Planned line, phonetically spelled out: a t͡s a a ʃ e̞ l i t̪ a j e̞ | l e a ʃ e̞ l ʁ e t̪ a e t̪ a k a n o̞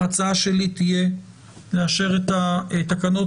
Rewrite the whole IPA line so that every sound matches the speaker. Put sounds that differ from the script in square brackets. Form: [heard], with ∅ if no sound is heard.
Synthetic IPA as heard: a t͡s a a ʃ e̞ l i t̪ [i] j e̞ | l e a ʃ e̞ [∅] ʁ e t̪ a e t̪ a k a n o̞